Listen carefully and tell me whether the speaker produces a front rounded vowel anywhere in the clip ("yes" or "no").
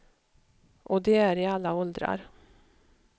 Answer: no